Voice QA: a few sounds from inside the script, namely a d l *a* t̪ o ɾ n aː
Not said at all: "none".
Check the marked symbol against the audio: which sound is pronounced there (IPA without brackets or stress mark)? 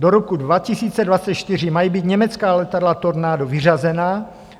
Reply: a